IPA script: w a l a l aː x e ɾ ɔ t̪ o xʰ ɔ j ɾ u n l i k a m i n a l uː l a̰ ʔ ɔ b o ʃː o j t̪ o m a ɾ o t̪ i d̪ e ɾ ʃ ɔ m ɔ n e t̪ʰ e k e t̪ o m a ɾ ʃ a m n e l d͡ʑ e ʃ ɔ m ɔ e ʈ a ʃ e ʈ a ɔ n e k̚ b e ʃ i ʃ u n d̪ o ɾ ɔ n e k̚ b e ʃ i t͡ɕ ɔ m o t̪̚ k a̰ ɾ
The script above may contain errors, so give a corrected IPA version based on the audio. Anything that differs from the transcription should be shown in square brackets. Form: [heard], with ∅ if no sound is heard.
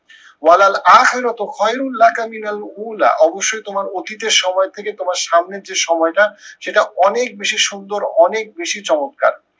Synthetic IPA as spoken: w a l a l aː x e ɾ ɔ t̪ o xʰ ɔ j ɾ u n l [a] k a m i n a l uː l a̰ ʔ ɔ b o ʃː o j t̪ o m a ɾ o t̪ i [t̪] e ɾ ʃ ɔ m ɔ [∅] e t̪ʰ e k e t̪ o m a ɾ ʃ a m n e [ɾ] d͡ʑ e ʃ ɔ m ɔ e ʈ a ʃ e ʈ a ɔ n e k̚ b e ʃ i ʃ u n d̪ o ɾ ɔ n e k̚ b e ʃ i t͡ɕ ɔ m o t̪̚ k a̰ ɾ